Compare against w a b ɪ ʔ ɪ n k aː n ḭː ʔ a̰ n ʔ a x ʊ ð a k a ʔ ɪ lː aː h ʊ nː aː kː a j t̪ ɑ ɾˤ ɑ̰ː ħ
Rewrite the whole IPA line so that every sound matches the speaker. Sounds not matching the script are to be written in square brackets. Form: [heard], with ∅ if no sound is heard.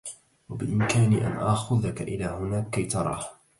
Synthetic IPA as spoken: w a b ɪ ʔ ɪ [m] k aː n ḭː ʔ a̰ n ʔ a x ʊ ð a k a ʔ ɪ [l] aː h ʊ [n] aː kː a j t̪ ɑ ɾˤ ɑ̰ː [h]